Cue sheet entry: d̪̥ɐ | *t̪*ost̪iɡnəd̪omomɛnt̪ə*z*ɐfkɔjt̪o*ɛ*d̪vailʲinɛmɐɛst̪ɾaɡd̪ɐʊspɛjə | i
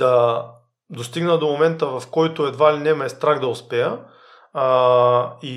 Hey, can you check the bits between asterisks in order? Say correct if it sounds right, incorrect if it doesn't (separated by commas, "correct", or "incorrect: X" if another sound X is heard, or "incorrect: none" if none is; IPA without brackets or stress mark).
incorrect: d̪, incorrect: v, correct